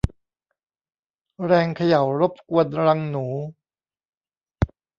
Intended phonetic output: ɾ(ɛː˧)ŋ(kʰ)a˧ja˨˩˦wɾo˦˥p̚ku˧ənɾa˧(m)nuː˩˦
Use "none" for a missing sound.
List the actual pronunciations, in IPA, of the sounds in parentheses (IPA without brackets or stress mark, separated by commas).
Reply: ɛː˧, kʰ, ŋ